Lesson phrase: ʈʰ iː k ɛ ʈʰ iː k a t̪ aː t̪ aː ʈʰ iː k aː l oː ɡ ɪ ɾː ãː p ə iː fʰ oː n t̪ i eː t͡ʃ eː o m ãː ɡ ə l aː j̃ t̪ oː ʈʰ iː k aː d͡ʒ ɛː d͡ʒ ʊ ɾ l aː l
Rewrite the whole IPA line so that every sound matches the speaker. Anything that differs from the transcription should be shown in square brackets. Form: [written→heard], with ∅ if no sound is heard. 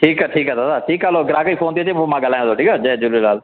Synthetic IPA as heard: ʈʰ iː k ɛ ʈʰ iː k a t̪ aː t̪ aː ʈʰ iː k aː l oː ɡ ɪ [ɾː→ɾ] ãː [p→k] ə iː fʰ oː n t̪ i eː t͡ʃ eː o m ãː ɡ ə l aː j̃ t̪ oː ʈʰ iː k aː d͡ʒ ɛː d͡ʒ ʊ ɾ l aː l